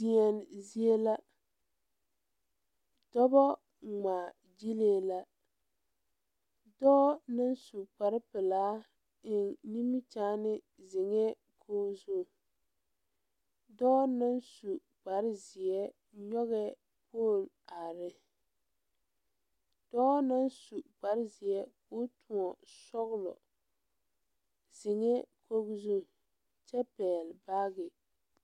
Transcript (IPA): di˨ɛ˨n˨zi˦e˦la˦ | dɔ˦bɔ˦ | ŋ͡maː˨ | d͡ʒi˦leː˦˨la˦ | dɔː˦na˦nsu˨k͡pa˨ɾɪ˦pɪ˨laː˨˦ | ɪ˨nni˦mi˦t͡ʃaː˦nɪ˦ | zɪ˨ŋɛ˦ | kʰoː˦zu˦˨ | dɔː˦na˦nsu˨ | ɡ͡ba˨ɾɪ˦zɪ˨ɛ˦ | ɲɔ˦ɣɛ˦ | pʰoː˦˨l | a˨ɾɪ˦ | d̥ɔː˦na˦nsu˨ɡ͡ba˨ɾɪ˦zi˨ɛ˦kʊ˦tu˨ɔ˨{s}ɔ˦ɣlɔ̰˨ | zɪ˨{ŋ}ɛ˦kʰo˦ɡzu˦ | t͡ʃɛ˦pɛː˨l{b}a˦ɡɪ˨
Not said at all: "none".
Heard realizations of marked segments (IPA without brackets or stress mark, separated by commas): s, ŋ, b